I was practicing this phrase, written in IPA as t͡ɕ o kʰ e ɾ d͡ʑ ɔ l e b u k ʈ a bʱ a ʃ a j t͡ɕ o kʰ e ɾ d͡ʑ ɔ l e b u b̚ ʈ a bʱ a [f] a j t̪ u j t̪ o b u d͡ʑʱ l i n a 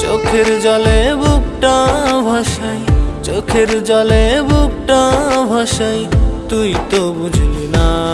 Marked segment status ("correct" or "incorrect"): incorrect